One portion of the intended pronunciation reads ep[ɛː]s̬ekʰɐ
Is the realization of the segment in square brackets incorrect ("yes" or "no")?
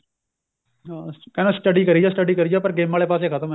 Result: yes